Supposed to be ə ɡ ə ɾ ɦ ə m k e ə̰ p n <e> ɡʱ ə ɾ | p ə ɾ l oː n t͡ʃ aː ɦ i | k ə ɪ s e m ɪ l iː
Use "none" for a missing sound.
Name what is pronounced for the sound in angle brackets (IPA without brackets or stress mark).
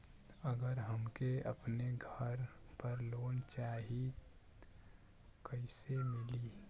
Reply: e